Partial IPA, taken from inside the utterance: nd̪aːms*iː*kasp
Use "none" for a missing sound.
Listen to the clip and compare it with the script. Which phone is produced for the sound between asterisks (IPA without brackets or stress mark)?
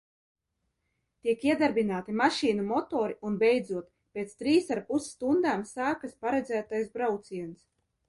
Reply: aː